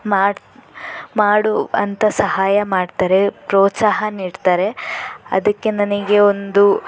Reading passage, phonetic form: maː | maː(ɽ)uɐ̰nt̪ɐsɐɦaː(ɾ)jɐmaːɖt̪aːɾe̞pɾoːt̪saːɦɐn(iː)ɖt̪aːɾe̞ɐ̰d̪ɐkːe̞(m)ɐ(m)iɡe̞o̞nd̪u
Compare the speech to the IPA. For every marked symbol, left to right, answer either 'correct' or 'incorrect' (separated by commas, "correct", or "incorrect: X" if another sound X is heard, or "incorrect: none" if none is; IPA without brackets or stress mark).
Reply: correct, incorrect: none, correct, incorrect: n, incorrect: n